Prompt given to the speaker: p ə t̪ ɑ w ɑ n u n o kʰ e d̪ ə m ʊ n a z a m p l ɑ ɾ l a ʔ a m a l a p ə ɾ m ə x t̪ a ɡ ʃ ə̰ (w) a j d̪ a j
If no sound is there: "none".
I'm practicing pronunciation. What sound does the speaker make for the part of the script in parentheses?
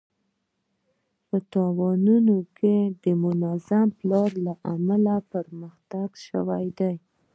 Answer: w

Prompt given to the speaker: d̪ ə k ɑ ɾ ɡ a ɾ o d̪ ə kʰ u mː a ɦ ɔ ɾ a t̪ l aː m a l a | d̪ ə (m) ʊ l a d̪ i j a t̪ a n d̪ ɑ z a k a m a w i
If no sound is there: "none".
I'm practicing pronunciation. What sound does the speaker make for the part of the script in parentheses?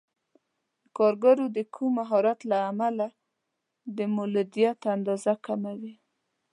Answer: m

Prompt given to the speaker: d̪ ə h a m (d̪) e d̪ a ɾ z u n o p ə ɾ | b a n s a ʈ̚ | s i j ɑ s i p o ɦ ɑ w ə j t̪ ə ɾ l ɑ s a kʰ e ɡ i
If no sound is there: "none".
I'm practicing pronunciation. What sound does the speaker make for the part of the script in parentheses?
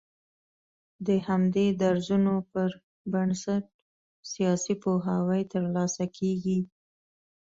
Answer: d̪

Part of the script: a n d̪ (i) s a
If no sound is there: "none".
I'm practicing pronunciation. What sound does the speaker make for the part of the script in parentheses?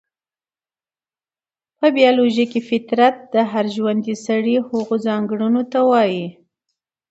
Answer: i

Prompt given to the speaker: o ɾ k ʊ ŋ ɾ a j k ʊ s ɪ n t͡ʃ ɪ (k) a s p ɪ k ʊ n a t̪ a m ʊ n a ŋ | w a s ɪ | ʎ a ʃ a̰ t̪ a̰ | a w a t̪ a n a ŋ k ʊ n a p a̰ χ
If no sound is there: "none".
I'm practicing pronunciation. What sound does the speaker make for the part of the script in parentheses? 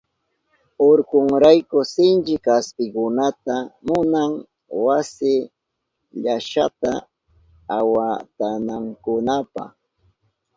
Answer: k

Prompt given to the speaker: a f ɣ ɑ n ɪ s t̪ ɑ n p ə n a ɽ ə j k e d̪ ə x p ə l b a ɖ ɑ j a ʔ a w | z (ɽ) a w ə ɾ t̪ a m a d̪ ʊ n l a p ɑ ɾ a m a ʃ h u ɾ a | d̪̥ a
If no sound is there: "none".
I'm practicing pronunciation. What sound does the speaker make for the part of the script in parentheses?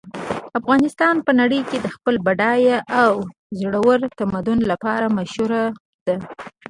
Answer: ɽ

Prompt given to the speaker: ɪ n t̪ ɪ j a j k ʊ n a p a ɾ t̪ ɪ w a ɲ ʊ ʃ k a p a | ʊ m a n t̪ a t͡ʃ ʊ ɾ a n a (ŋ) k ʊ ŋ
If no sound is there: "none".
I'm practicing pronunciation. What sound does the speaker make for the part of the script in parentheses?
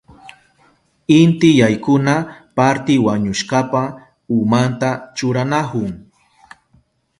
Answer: none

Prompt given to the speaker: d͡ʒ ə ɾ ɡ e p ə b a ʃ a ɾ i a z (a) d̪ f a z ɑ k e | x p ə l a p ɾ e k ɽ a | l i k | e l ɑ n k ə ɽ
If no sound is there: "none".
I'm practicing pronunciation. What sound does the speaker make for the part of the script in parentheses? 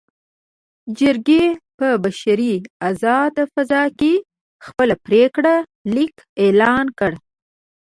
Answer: ɑ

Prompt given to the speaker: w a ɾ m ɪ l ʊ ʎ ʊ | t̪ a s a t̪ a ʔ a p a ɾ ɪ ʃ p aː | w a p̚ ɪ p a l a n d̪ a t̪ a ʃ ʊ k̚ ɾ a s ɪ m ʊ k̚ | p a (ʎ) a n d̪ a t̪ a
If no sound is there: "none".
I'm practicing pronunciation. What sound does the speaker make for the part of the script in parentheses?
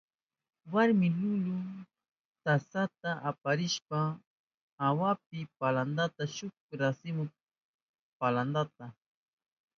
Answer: l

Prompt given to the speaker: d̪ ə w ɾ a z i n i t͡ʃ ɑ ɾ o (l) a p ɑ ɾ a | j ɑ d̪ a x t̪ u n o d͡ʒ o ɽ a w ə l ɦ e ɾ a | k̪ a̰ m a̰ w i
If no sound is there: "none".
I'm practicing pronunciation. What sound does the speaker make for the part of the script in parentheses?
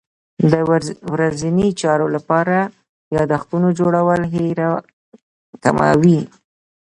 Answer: l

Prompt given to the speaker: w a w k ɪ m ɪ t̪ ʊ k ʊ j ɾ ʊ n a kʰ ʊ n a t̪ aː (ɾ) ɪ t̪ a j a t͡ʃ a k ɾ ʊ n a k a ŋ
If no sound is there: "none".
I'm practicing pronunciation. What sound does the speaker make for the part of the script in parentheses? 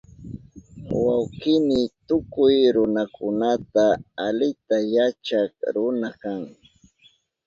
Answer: l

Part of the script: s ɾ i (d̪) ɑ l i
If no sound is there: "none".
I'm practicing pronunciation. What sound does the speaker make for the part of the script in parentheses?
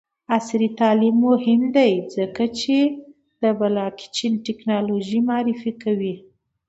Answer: t̪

